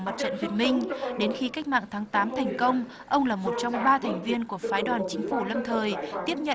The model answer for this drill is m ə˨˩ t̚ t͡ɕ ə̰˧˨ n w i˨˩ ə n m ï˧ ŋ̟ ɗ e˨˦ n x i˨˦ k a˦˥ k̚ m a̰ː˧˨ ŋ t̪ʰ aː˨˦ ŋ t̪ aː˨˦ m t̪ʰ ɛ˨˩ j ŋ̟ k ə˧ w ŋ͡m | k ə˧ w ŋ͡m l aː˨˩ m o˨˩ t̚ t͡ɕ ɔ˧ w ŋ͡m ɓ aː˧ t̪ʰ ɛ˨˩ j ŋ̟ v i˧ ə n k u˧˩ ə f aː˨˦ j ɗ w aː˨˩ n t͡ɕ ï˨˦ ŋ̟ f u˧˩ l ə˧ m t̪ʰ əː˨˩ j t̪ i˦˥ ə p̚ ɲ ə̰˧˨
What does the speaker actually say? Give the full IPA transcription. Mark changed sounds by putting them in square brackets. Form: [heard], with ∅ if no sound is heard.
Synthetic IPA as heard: m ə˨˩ t̚ t͡ɕ ə̰˧˨ n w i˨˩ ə n m ï˧ ŋ̟ ɗ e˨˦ n x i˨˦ k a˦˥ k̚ m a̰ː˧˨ ŋ t̪ʰ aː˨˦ ŋ t̪ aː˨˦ m t̪ʰ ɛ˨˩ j ŋ̟ k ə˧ w ŋ͡m | [ʔ] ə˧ w ŋ͡m l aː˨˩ m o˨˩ t̚ t͡ɕ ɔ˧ w ŋ͡m ɓ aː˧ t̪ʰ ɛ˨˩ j ŋ̟ v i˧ ə n k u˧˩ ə f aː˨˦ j ɗ w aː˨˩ n t͡ɕ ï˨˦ ŋ̟ f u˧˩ l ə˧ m t̪ʰ əː˨˩ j t̪ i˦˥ ə p̚ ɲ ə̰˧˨